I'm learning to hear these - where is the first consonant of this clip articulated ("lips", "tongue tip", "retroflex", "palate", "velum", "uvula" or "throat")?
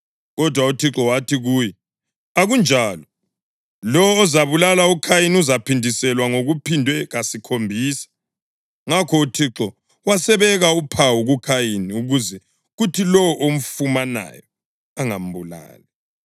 velum